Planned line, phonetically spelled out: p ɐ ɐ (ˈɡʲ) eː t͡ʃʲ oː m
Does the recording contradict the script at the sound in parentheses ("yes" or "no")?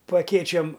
yes